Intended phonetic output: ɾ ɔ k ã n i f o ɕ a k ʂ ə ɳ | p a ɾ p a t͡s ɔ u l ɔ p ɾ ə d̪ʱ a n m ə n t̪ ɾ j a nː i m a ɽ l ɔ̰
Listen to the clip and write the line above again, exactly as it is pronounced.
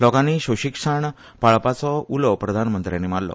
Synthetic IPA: l ɔ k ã n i ɕ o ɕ i k ʂ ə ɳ | p a ɭ p a t͡s ɔ u l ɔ p ɾ ə d̪ʱ a n m ə n t̪ ɾ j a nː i m a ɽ l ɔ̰